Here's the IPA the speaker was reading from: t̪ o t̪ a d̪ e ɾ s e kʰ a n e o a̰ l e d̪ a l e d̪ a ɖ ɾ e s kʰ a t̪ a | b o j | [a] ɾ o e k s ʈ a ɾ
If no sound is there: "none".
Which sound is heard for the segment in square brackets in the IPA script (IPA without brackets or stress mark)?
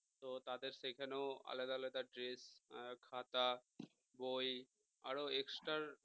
a